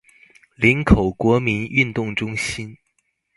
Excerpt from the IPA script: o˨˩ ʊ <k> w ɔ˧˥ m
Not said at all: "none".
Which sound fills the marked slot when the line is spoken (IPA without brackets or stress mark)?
k